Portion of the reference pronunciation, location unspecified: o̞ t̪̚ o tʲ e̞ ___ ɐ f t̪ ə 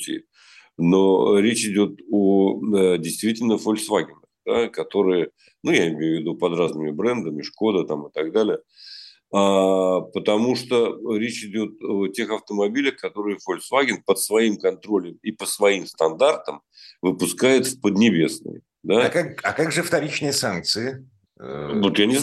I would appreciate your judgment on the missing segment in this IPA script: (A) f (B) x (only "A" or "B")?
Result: B